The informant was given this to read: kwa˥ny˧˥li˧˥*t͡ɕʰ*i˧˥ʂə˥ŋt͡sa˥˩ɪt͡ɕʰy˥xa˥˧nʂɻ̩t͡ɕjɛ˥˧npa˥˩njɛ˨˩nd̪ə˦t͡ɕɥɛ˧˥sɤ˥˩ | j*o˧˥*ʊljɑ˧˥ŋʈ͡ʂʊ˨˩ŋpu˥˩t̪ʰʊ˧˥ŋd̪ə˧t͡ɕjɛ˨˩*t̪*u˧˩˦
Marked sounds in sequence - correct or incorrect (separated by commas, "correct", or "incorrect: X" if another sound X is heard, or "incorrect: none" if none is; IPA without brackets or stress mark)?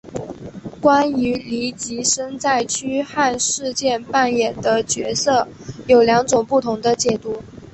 incorrect: t͡ɕ, incorrect: o˨˩, correct